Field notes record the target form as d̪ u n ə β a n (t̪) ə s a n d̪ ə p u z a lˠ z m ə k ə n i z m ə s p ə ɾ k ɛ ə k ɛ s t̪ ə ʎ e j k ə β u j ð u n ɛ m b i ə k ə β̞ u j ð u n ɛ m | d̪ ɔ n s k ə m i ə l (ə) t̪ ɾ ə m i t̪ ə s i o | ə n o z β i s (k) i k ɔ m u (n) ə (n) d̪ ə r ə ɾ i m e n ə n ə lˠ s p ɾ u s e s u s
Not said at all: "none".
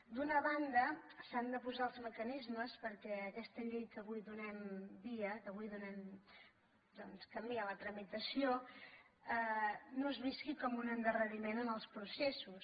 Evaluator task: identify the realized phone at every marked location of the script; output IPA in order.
d̪, ə, k, n, n

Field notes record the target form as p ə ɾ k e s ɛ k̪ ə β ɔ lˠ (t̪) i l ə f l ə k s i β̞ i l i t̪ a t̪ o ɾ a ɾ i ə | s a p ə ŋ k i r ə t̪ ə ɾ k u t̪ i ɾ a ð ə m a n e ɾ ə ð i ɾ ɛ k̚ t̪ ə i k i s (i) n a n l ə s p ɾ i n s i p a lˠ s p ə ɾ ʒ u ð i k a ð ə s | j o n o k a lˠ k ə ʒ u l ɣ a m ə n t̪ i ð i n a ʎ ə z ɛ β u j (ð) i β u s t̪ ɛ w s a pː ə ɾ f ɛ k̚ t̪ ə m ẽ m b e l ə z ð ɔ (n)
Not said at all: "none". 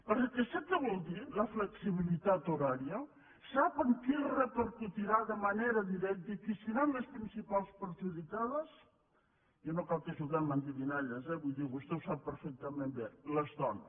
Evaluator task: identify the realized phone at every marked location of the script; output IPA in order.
d̪, i, ð, n

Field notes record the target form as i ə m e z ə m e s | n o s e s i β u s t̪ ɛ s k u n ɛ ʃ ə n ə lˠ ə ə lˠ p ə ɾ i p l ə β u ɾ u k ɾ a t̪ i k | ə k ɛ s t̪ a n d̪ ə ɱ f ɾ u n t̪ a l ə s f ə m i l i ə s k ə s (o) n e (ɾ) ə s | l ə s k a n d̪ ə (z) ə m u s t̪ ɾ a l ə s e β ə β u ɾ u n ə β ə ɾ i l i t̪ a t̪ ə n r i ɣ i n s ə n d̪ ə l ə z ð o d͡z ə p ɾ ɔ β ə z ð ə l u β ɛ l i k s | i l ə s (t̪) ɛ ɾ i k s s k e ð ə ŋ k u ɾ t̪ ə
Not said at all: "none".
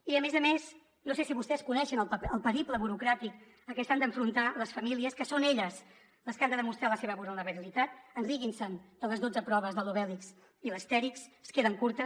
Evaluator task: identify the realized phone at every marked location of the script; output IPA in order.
o, ʎ, ð, t̪

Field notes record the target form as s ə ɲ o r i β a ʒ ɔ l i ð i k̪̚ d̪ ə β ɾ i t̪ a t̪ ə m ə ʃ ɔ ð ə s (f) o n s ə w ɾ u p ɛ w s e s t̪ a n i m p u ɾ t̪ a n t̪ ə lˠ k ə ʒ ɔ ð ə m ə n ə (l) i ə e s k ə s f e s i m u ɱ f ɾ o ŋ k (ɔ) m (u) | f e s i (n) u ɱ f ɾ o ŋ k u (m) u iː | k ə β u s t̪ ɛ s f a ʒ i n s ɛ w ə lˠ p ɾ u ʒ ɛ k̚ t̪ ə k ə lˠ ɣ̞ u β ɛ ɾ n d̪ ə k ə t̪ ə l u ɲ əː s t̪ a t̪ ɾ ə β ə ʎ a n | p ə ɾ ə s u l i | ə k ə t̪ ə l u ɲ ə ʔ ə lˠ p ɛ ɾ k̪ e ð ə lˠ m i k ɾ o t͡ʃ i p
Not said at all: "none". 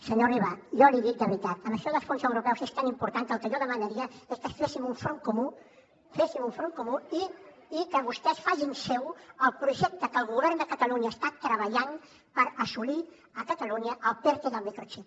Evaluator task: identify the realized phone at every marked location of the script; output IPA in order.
f, ɾ, u, u, m, m

